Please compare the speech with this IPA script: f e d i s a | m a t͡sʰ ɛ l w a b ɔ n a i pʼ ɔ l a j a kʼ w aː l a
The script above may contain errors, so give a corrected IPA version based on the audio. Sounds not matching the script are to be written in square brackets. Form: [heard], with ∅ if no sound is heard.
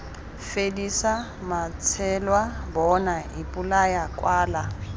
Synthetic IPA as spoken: f e d i s a | m a t͡sʰ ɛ l w a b ɔ n a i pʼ [u] l a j a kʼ w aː l a